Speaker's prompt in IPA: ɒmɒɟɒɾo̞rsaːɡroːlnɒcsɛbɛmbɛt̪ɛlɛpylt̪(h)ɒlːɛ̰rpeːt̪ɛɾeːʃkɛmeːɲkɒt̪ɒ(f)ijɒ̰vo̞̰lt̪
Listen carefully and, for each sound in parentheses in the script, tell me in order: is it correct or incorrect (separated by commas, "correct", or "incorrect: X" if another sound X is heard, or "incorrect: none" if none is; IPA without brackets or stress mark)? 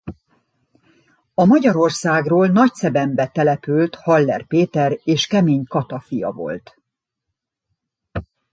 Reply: correct, correct